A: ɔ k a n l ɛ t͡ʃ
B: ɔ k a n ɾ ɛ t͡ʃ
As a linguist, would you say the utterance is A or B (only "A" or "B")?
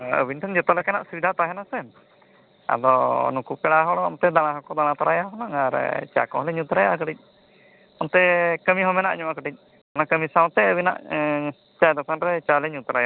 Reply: B